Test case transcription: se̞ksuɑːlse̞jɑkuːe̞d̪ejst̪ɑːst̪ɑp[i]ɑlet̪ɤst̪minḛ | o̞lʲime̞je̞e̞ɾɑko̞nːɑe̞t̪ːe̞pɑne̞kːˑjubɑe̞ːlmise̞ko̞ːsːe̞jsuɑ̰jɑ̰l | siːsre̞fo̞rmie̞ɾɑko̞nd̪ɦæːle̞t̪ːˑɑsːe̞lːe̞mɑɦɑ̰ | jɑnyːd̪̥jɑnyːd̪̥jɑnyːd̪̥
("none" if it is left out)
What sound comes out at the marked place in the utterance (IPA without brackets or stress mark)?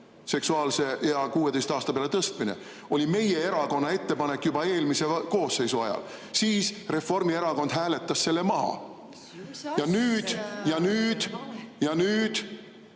e